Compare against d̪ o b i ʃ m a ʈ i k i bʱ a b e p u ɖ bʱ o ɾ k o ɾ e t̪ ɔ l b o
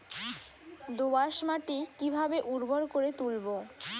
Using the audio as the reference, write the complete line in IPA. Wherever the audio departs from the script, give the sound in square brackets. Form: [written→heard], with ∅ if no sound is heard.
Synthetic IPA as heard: d̪ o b [i→a] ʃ m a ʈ i k i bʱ a b e [p→ʔ] u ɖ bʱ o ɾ k o ɾ e t̪ [ɔ→u] l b o